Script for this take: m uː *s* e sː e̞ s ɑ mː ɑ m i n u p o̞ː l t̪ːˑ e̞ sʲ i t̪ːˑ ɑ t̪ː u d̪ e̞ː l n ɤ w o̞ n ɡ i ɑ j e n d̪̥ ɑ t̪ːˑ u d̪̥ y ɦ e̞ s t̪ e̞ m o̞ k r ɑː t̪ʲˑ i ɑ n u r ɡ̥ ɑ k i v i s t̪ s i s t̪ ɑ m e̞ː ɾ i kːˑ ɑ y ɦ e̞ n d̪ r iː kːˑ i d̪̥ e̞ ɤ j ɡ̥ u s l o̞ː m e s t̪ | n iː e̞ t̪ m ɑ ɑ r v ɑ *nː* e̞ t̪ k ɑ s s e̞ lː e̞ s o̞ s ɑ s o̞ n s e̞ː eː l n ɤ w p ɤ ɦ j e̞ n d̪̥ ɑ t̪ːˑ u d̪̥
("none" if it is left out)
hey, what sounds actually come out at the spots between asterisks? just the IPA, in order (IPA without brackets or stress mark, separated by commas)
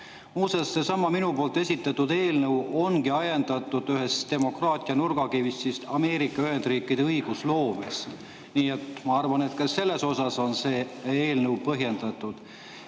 s, n